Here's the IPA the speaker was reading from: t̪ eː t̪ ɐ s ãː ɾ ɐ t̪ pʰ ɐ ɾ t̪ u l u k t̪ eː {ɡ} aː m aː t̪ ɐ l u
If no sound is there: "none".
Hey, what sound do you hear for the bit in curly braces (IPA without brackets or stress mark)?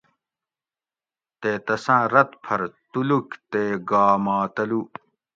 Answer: ɡ